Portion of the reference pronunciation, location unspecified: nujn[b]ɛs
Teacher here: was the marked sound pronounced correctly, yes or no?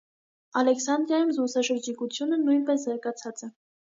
no